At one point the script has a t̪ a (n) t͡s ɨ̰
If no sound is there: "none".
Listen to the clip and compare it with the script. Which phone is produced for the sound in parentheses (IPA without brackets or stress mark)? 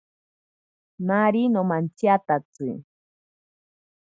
none